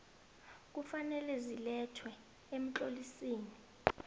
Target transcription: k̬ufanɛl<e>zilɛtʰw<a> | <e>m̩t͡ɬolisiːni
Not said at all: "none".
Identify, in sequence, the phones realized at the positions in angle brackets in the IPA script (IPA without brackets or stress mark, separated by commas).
ɛ, ɛ, e